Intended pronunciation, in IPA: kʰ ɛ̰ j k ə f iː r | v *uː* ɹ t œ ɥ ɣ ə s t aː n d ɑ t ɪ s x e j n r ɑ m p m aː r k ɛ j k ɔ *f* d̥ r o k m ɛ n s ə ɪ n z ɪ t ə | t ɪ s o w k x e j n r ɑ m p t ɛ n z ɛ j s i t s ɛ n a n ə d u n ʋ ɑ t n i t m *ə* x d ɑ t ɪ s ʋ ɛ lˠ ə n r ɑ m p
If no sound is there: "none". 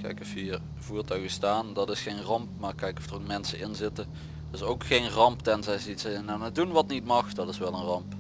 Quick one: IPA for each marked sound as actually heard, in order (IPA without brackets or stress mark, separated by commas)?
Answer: uː, f, ɑ